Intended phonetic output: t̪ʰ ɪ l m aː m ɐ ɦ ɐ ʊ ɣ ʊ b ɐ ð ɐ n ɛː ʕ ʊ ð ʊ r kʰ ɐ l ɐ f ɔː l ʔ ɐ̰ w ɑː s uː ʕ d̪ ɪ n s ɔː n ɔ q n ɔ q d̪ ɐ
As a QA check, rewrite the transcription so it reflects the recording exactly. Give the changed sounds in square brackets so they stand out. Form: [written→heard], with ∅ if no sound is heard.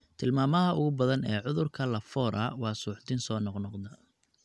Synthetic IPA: t̪ʰ ɪ l m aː m ɐ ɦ ɐ ʊ ɣ ʊ b ɐ ð ɐ n ɛː ʕ ʊ ð ʊ r kʰ ɐ l ɐ f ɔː [l→ɾ] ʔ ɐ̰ w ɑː s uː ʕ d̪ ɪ n s ɔː n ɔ q n ɔ q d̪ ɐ